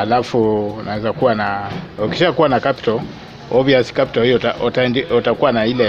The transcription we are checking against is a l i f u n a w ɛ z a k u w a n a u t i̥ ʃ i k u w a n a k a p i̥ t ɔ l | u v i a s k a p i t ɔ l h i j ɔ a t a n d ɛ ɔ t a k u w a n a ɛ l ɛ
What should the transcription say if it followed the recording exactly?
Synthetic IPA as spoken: a l a f u n a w ɛ z a k u w a n a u k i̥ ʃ a k u w a n a k a p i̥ t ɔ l | ɔ v i a s k a p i t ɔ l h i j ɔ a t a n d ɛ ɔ t a k u w a n a i l ɛ